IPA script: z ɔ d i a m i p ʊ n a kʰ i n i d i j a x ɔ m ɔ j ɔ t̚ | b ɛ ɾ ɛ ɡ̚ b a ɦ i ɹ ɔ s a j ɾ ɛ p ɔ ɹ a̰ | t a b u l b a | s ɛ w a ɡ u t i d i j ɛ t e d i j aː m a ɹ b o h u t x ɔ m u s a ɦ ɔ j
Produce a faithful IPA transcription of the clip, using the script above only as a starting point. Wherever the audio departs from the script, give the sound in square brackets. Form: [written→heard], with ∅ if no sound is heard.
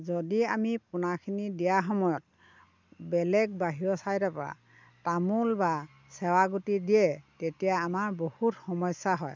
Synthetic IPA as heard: z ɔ d i a m i p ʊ n a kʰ i n i d i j a x ɔ m ɔ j ɔ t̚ | b ɛ [ɾ→l] ɛ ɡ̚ b a ɦ i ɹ ɔ s a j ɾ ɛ p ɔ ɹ a̰ | t a [b→m] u l b a | s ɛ w a ɡ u t i d i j ɛ t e [d→t] i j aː m a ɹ b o h u t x ɔ m [u→ɔ] s a ɦ ɔ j